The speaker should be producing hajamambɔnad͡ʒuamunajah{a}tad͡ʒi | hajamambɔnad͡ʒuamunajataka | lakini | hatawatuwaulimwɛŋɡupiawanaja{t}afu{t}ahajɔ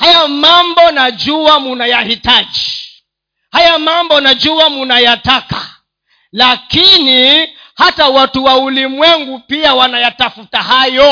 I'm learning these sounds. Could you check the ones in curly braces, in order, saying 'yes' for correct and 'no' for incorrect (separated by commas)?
no, yes, yes